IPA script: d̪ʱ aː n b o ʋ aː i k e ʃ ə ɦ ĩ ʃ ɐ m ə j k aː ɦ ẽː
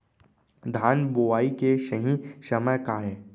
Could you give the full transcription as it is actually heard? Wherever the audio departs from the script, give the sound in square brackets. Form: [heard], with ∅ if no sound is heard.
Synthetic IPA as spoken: d̪ʱ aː n b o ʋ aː i k e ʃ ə ɦ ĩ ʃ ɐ m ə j k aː ɦ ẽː